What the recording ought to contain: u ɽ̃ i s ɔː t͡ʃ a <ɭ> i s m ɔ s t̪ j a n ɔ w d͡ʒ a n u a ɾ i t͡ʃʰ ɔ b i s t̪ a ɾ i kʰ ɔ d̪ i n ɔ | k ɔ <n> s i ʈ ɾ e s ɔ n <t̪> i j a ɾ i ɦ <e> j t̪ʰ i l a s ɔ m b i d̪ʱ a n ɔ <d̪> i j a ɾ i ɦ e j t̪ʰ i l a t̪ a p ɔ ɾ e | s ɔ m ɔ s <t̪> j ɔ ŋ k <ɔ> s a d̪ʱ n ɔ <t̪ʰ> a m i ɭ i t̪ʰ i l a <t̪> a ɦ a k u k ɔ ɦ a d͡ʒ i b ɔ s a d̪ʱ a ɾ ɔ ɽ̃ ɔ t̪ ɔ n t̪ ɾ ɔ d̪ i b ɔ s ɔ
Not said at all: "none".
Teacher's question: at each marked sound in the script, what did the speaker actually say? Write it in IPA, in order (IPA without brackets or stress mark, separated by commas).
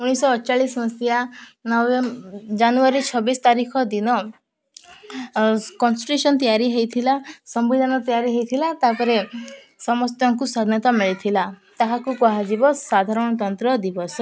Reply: ɭ, n, t̪, e, t̪, t̪, u, t̪, t̪